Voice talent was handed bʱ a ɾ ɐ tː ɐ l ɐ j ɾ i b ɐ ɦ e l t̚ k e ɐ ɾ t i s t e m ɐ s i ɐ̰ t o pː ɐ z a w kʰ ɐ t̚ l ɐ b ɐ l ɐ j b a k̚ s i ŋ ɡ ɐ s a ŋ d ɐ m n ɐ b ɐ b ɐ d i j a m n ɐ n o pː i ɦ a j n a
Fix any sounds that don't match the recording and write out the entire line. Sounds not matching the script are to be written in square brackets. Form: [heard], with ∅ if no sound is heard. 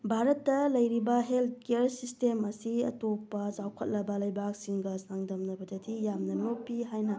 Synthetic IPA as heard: bʱ a ɾ ɐ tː ɐ l ɐ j ɾ i b ɐ ɦ e l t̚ k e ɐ ɾ [s] i s t e m ɐ s i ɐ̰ t o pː ɐ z a w kʰ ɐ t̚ l ɐ b ɐ l ɐ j b a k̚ s i ŋ ɡ ɐ s a ŋ d ɐ m n ɐ b ɐ [d] ɐ d i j a m n ɐ n o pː i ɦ a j n [ɐ]

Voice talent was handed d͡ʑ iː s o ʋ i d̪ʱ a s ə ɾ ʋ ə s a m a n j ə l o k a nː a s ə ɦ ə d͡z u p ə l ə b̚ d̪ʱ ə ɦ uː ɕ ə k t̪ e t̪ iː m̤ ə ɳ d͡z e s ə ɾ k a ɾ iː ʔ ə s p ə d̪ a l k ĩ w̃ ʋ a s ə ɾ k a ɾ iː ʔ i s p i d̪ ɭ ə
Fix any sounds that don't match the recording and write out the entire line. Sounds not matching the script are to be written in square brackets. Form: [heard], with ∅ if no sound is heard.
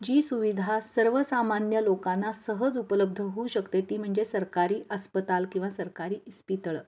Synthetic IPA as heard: d͡ʑ iː s [u] ʋ i d̪ʱ a s ə ɾ ʋ ə s a m a n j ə l o k a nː a s ə ɦ ə d͡z u p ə l ə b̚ d̪ʱ ə ɦ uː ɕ ə k t̪ e t̪ iː m̤ ə ɳ d͡z e s ə ɾ k a ɾ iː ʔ ə s p ə [t̪] a l k ĩ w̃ ʋ a s ə ɾ k a ɾ iː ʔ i s p i [t̪] ɭ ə

